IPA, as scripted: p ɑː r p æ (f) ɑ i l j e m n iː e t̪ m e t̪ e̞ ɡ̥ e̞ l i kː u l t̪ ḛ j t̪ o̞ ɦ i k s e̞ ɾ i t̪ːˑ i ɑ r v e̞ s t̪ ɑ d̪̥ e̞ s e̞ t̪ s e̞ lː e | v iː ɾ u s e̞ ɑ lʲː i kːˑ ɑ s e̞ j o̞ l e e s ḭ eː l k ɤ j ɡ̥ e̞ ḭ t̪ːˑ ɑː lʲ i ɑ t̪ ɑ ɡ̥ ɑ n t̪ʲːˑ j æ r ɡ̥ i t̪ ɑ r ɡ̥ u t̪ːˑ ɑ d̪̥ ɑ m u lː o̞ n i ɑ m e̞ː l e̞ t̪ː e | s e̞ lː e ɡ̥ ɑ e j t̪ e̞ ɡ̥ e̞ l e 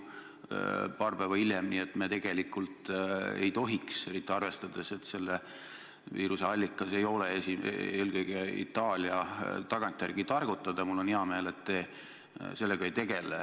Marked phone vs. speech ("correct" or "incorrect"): incorrect